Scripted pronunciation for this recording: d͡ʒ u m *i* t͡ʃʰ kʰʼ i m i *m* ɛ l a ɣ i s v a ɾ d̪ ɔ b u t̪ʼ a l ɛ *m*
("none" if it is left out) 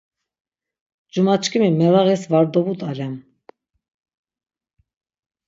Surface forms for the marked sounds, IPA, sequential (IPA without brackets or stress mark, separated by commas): a, m, m